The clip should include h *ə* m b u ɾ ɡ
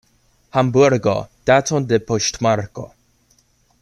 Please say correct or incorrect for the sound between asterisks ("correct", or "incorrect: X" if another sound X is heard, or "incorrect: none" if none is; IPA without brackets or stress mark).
incorrect: a